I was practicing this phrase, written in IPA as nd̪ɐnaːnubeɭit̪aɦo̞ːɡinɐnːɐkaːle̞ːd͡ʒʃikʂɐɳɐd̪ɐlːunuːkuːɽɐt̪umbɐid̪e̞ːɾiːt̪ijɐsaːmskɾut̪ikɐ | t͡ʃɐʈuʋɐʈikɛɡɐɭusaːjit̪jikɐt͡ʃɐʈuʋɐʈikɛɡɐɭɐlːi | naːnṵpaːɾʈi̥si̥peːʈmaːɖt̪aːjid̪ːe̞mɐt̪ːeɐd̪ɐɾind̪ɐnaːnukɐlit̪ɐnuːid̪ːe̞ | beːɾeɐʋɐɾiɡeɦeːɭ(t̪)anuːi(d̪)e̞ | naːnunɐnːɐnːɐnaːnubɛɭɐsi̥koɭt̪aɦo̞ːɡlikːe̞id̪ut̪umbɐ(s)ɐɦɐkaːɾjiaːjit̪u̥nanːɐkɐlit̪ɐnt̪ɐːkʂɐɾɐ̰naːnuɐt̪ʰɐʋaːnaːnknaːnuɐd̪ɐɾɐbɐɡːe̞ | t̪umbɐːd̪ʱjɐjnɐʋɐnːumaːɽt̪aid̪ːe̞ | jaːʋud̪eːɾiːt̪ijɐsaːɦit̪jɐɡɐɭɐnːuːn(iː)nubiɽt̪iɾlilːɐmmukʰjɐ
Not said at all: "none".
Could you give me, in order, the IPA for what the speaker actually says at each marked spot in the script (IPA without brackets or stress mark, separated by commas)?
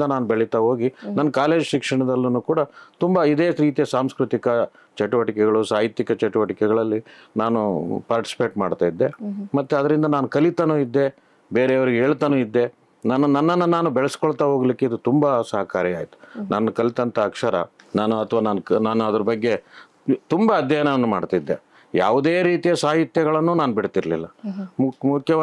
t̪, d̪ː, s, aː